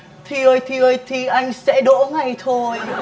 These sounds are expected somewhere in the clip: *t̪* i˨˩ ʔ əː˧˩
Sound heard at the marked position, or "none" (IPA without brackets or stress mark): t̪ʰ